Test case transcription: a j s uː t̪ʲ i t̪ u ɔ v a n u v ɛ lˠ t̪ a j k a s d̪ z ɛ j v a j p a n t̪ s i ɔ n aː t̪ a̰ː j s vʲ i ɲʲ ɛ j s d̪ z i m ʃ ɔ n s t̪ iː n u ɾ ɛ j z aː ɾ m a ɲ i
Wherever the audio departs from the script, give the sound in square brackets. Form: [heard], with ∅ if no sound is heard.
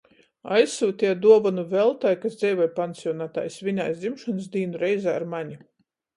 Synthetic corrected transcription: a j s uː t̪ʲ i [d̪] u ɔ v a n u v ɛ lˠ t̪ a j k a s d̪ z ɛ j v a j p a n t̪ s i ɔ n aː t̪ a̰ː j s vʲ i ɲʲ [a] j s d̪ z i m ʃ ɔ n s [d̪] iː n u ɾ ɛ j z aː ɾ m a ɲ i